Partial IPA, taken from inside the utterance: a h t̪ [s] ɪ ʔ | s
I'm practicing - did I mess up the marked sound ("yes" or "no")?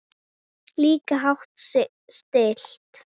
no